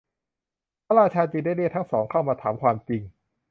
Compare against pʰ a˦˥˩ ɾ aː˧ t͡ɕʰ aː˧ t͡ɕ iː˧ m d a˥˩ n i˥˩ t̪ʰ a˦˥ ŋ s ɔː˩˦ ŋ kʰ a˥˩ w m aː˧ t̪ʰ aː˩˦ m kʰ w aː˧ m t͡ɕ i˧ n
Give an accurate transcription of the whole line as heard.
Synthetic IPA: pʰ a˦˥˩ ɾ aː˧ t͡ɕʰ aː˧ t͡ɕ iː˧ n d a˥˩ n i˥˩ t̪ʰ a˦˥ ŋ s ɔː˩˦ ŋ kʰ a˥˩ w m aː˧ t̪ʰ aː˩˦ m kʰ w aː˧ m t͡ɕ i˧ ŋ